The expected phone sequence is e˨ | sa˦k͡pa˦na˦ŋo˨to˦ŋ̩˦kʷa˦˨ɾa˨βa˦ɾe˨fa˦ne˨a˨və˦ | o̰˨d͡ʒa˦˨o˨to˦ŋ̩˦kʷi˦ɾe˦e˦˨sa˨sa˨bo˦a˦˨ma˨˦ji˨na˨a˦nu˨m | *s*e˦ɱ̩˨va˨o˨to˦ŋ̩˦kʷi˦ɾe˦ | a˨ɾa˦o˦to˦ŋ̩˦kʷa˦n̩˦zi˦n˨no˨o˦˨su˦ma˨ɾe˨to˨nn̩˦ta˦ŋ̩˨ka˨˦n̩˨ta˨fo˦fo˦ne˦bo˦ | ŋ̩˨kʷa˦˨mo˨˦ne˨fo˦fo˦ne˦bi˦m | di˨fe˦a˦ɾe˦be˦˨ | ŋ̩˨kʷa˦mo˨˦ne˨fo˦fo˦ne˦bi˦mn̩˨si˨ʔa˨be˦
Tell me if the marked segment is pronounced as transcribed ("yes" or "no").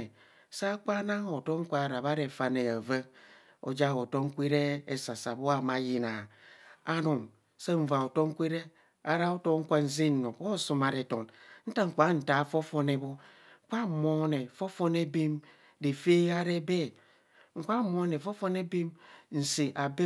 yes